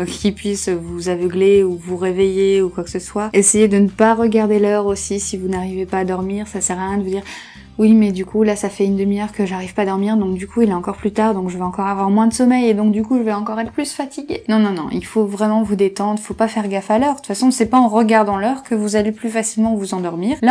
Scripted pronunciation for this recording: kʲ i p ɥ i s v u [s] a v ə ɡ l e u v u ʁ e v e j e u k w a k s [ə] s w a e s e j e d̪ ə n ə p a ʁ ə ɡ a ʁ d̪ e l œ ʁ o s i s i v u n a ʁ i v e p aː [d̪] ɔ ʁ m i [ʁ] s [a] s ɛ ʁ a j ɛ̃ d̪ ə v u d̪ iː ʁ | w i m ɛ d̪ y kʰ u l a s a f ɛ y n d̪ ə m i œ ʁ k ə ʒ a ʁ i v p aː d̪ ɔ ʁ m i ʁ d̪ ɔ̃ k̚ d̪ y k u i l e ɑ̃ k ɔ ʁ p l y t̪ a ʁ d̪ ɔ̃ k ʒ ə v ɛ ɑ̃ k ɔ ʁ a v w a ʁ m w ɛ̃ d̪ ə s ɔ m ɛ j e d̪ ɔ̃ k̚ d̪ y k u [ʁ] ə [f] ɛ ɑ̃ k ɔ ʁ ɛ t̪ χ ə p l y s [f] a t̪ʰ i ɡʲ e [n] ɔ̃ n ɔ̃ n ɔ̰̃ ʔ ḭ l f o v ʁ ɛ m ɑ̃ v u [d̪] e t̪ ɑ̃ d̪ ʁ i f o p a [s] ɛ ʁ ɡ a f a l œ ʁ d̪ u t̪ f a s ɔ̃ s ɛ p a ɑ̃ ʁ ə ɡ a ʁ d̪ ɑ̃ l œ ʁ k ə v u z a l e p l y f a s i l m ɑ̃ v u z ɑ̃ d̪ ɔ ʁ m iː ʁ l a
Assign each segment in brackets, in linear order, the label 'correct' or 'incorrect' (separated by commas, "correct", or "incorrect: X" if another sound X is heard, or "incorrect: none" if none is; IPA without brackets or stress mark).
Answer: incorrect: z, correct, correct, correct, correct, incorrect: ʒ, incorrect: v, correct, correct, correct, incorrect: f